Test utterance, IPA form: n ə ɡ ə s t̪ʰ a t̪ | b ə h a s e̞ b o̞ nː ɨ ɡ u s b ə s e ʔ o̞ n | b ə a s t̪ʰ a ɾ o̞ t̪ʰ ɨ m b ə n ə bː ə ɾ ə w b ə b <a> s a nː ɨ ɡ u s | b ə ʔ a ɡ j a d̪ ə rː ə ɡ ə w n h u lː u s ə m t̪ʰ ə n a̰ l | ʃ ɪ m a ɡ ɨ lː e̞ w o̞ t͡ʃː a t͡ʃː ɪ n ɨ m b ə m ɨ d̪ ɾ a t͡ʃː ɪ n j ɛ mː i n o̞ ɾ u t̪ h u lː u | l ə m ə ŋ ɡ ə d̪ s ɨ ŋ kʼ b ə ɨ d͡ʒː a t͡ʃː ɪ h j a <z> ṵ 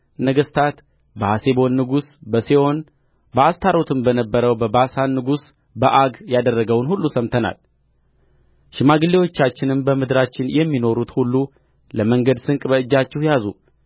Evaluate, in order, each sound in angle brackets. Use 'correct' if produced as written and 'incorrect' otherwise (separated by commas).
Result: correct, correct